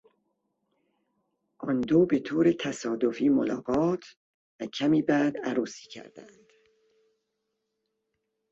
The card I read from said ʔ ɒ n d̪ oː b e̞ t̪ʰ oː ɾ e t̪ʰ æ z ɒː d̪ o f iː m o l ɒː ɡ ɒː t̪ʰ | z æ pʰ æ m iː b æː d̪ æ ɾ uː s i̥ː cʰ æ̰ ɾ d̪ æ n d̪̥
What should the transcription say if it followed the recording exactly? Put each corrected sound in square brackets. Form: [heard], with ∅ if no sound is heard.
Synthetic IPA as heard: ʔ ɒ n d̪ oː b e̞ t̪ʰ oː ɾ e t̪ʰ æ [s] ɒː d̪ o f iː m o l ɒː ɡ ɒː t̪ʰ | [v] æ [cʰ] æ m iː b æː d̪ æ ɾ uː s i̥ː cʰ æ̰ ɾ d̪ æ n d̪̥